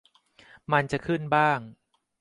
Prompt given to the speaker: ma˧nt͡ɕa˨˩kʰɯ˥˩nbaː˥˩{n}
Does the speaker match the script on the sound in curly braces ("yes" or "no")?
no